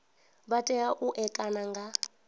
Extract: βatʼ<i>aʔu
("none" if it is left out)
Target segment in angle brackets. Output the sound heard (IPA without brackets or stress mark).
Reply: ɛ